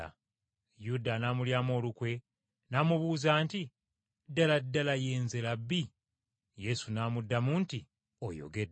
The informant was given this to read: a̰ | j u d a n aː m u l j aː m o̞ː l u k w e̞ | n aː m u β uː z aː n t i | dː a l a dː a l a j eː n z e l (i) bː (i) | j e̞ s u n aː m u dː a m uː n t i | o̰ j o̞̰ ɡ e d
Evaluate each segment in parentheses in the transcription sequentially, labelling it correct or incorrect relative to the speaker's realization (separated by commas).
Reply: incorrect, correct